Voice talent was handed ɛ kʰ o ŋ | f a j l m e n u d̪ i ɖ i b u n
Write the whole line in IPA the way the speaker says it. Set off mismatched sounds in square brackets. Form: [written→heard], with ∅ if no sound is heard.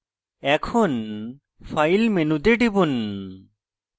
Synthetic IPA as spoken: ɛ kʰ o [ŋ→n] | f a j l m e n u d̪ [i→e] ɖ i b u n